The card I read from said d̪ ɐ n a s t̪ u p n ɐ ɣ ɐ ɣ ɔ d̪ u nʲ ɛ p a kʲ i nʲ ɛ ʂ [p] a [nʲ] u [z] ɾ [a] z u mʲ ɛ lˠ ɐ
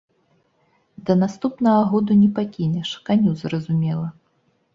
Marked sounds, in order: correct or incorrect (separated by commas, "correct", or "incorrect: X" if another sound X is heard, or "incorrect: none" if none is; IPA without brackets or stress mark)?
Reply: incorrect: k, correct, correct, incorrect: ɐ